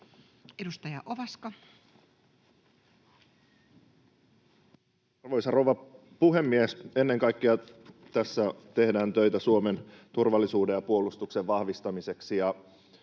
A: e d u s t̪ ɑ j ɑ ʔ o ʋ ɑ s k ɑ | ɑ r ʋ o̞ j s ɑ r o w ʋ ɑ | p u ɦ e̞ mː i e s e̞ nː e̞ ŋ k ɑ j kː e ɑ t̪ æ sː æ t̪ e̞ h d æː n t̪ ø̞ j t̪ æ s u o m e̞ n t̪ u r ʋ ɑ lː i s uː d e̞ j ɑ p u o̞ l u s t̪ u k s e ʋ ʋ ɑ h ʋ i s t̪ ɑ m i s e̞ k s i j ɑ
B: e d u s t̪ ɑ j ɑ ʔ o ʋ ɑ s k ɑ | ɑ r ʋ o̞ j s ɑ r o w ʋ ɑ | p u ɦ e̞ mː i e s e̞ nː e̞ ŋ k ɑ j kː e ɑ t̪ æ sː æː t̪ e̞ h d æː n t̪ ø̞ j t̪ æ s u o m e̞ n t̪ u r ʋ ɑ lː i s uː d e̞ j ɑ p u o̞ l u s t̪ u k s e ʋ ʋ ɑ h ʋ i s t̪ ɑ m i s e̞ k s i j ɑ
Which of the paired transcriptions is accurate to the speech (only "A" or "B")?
A